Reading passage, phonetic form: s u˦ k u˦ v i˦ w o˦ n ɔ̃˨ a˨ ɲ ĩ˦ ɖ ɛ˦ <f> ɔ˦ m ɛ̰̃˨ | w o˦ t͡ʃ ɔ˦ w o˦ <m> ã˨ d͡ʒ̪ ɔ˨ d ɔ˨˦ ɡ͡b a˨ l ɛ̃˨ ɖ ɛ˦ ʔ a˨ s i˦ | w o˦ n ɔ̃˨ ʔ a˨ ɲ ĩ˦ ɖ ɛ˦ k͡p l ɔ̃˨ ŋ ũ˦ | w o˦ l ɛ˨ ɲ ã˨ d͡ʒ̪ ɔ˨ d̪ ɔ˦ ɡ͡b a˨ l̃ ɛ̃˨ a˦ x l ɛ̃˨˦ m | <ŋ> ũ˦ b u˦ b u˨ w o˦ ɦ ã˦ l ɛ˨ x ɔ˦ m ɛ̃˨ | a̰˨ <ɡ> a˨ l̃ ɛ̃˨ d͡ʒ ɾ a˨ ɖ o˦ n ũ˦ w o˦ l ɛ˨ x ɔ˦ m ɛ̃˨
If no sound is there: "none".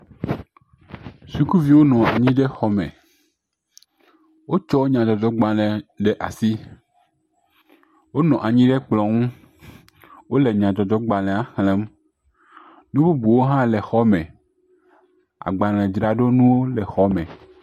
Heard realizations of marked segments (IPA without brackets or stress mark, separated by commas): x, ɲ, n, ɡ͡b